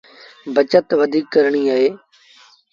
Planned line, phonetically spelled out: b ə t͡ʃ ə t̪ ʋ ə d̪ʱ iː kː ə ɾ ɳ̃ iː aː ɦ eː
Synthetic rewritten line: b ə t͡ʃ ə t̪ ʋ ə d̪ʱ iː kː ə ɾ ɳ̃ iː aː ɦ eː